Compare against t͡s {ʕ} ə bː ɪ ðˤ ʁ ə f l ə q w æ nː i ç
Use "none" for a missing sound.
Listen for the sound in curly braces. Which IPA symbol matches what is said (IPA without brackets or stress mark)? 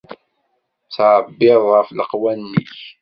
ʕ